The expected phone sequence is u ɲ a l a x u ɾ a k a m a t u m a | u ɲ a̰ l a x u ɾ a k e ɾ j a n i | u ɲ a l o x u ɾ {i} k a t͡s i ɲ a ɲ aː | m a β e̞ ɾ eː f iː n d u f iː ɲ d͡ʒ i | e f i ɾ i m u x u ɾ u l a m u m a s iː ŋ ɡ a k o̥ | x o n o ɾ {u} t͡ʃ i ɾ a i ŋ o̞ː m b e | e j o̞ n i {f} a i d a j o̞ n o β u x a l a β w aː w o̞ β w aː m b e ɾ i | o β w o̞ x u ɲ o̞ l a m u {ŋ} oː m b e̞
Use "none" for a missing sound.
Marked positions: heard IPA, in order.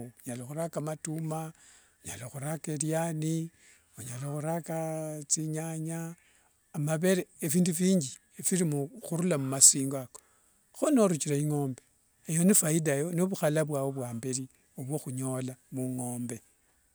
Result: a, u, f, ŋ

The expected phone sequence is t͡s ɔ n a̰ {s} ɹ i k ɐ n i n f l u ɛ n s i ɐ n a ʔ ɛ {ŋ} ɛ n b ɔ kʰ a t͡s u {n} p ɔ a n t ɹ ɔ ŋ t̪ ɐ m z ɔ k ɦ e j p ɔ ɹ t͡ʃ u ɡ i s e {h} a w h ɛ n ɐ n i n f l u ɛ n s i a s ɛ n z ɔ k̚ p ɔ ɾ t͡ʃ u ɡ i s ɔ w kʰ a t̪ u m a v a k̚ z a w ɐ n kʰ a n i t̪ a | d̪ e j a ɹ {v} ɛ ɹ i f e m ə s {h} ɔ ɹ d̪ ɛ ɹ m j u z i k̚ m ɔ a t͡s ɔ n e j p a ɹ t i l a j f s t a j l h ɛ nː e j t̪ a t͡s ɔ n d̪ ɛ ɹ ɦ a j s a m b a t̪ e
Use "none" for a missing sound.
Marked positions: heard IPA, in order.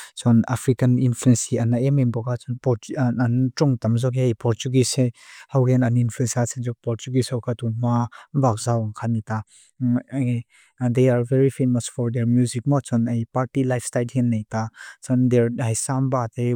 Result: f, m, n, h, v, f

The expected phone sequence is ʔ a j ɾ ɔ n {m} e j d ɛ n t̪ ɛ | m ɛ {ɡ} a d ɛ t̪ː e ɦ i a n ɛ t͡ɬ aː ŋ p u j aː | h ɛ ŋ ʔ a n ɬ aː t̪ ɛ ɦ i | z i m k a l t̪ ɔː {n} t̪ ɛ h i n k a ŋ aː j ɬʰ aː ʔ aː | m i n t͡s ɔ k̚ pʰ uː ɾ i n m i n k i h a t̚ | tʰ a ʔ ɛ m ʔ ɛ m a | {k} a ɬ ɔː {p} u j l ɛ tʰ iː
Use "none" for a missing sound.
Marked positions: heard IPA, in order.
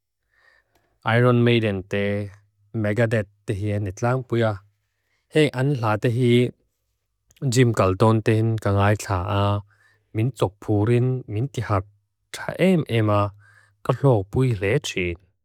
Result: m, ɡ, n, k, p

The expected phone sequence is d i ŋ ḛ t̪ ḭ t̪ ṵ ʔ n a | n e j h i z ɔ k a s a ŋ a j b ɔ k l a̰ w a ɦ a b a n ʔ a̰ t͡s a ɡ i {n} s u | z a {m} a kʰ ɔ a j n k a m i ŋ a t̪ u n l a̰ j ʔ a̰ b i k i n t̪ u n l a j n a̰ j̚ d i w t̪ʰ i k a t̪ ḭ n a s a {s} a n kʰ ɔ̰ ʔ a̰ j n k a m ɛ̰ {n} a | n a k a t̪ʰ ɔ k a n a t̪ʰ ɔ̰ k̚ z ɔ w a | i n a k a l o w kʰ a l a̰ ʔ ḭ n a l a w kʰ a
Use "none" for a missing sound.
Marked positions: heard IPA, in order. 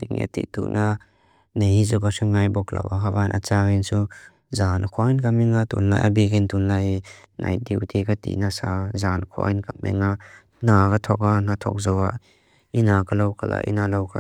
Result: n, n, z, ŋ

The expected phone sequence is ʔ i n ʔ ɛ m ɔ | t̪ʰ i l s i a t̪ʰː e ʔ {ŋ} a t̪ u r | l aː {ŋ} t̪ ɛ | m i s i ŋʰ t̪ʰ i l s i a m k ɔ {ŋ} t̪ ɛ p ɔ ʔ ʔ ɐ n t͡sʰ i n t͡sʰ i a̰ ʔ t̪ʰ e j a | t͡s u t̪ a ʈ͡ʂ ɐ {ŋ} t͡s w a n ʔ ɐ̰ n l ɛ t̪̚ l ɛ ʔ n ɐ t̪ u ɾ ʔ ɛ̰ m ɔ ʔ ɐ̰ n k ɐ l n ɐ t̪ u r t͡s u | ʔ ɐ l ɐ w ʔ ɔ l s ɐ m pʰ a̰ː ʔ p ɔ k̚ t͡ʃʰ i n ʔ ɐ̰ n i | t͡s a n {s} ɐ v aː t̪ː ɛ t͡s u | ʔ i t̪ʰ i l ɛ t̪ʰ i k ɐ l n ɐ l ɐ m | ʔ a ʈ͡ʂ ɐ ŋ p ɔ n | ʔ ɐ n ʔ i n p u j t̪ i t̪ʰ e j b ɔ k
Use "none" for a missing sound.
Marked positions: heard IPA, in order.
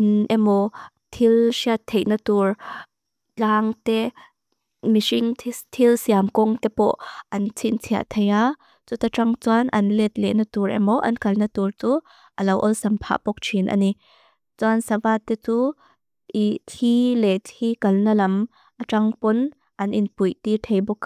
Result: n, ŋ, ŋ, ŋ, s

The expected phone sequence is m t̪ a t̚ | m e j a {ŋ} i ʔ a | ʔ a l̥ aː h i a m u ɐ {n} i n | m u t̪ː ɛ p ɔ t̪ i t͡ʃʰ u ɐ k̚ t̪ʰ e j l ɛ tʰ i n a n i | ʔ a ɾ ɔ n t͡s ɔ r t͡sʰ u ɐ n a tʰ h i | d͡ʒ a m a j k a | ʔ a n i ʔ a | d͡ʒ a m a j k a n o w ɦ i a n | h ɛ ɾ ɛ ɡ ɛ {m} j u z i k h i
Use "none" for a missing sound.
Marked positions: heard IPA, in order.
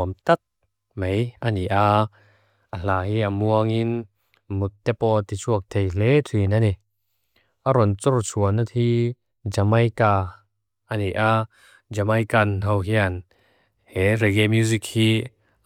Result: n, ŋ, m

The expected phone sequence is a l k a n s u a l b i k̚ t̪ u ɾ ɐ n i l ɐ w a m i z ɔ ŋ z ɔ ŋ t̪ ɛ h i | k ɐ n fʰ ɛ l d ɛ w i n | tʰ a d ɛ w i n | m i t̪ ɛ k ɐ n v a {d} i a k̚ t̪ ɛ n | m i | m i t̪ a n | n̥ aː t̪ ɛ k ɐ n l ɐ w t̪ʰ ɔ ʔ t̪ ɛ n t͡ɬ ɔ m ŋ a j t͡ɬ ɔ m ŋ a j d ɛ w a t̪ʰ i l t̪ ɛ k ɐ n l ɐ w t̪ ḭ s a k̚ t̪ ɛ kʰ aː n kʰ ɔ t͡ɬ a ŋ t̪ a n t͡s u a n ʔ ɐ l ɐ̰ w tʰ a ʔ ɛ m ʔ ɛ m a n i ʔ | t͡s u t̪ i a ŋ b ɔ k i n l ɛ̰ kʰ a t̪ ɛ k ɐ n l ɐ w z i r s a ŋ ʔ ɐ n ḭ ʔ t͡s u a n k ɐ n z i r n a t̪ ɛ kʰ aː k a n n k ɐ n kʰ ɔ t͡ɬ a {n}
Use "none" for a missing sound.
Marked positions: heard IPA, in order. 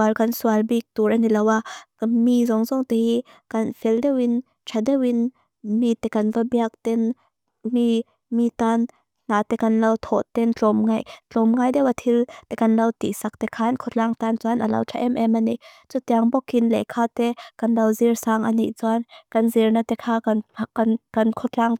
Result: b, ŋ

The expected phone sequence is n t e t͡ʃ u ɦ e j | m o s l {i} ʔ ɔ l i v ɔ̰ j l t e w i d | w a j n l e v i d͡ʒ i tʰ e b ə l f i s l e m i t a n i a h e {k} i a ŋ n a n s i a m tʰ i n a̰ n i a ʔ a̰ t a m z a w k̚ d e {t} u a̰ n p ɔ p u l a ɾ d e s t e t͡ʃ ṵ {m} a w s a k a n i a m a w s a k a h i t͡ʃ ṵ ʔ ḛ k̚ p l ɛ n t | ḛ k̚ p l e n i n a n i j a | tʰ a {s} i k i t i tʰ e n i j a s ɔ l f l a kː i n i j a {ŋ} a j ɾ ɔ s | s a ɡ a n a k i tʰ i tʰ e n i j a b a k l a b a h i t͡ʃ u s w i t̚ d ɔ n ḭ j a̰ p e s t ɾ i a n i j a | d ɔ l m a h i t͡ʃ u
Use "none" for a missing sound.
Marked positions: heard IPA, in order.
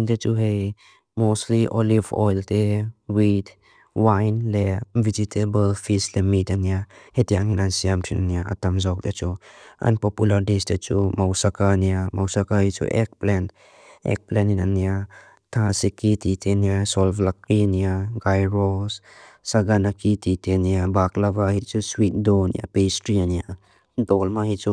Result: i, t, t͡ʃ, m, s, ɡ

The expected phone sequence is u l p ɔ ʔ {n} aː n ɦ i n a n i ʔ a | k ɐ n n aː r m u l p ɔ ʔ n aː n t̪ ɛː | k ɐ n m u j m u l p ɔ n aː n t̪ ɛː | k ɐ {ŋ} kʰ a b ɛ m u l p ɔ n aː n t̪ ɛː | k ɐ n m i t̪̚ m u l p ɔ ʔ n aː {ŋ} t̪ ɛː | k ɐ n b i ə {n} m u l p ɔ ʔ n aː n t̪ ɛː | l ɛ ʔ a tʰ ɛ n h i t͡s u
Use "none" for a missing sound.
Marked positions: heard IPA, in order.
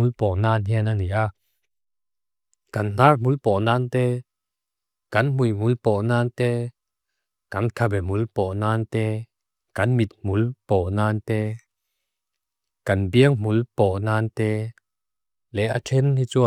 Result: n, n, n, ŋ

